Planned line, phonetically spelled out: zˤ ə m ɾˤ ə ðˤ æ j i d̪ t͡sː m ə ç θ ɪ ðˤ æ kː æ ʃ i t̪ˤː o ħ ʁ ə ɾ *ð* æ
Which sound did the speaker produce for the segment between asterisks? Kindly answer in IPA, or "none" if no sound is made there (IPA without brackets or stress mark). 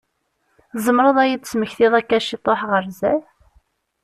z